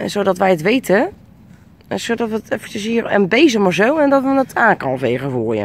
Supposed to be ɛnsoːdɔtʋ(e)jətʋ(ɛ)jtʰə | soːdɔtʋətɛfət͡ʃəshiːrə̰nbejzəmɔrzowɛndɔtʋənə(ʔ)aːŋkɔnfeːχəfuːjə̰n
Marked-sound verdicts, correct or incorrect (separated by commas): incorrect, incorrect, incorrect